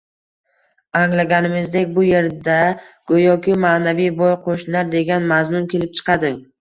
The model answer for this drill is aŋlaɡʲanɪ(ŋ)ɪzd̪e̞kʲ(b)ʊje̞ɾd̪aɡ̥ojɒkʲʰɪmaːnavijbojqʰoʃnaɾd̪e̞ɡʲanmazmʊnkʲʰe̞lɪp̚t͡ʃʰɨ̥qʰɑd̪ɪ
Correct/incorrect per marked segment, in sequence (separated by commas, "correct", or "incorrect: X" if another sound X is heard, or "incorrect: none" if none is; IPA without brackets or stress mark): incorrect: m, correct